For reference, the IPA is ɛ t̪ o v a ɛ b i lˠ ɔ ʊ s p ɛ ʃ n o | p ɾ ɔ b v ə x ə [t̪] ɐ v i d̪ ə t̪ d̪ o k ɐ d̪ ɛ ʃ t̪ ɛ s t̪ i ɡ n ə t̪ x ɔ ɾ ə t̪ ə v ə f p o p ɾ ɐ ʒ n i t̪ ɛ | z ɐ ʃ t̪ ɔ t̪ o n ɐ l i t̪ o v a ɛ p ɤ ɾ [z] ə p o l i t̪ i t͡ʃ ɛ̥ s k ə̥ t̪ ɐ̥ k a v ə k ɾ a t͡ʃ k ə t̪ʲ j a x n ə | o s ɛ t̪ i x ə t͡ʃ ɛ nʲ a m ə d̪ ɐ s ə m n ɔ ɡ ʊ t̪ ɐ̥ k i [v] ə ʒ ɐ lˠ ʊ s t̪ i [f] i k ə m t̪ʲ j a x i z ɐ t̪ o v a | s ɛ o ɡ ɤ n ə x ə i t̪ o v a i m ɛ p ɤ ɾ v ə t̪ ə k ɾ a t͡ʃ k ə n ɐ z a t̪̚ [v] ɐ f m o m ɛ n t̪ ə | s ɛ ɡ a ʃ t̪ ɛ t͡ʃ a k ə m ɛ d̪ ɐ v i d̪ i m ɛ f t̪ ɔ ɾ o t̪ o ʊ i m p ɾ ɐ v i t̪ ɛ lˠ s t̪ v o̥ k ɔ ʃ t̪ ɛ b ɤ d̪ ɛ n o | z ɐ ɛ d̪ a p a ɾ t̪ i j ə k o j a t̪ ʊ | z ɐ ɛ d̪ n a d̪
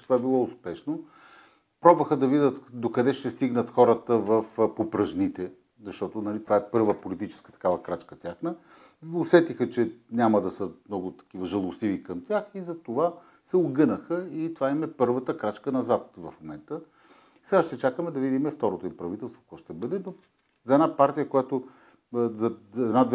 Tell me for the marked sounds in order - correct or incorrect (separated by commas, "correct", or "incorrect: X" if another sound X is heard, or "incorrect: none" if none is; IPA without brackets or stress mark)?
incorrect: d̪, incorrect: v, correct, incorrect: v, correct